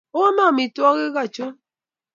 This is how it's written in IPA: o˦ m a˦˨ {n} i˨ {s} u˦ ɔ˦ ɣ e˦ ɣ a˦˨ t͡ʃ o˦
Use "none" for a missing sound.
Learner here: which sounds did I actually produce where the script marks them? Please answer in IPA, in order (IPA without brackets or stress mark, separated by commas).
m, t